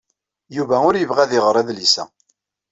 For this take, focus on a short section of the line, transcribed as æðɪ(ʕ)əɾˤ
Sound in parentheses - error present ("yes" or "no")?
yes